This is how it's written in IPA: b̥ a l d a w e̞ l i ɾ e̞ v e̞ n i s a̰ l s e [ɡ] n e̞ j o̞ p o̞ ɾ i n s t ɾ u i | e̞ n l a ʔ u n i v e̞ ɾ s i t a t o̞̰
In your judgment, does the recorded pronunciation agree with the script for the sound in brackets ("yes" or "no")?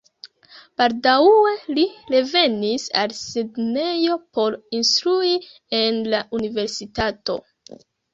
no